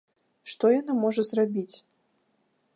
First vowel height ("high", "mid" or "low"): mid